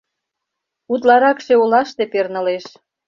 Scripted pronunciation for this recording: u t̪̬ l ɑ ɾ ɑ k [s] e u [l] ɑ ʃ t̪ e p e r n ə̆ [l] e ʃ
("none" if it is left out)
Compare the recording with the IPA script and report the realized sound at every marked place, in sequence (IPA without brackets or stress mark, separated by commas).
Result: ʃ, l, l